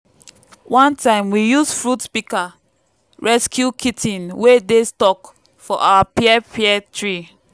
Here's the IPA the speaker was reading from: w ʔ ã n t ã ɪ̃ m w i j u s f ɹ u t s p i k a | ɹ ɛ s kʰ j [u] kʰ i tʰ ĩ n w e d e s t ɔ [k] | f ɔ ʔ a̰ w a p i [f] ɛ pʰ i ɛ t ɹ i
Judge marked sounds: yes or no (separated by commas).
yes, yes, no